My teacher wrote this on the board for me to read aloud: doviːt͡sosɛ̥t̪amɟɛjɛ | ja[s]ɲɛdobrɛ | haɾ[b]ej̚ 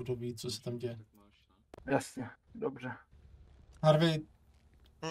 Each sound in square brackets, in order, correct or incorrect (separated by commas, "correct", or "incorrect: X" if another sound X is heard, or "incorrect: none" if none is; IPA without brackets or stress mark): correct, incorrect: v